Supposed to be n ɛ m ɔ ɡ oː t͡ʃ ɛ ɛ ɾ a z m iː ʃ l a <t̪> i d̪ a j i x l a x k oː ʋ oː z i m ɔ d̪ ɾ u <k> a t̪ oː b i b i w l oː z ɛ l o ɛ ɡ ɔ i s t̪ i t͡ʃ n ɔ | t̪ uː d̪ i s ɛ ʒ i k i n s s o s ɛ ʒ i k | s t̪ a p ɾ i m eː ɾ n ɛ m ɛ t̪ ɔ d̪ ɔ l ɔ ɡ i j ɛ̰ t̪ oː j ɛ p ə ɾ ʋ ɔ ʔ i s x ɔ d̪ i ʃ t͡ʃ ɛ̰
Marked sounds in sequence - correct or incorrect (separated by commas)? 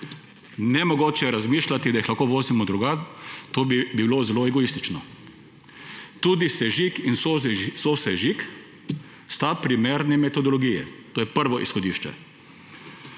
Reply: correct, incorrect